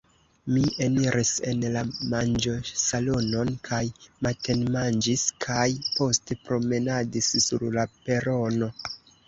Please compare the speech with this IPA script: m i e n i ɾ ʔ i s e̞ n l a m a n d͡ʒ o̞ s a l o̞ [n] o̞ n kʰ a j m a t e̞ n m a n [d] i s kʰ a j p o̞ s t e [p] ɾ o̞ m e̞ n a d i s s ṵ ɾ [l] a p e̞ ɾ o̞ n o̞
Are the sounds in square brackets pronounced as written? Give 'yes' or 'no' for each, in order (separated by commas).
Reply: yes, no, yes, yes